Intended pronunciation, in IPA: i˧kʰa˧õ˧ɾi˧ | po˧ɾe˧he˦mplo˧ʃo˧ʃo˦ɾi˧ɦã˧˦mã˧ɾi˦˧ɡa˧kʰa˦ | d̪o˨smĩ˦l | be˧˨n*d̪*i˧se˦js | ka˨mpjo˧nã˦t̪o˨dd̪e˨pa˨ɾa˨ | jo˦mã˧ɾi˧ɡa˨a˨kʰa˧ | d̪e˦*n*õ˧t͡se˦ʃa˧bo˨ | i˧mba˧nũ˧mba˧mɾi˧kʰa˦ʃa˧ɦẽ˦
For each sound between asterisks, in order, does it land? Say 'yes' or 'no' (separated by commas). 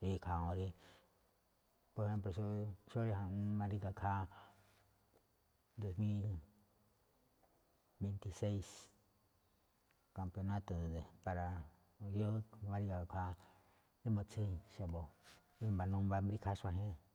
no, no